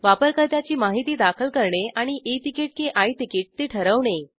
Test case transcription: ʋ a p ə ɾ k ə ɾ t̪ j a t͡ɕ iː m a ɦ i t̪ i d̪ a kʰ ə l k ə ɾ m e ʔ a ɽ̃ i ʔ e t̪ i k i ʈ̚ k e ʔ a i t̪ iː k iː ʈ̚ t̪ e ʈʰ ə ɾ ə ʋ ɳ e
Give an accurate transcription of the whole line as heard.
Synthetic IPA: ʋ a p ə ɾ k ə ɾ t̪ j a t͡ɕ iː m a ɦ i t̪ iː d̪ a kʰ ə l k ə ɾ ɳ e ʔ a ɽ̃ i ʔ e t̪ i k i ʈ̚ k e ʔ a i t̪ i k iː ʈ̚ t̪ e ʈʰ ə ɾ ə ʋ ɳ e